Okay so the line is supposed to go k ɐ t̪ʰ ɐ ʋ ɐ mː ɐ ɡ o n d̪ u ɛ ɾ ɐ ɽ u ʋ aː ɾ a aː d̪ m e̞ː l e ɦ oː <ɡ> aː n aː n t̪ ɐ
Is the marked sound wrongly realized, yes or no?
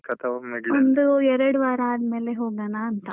no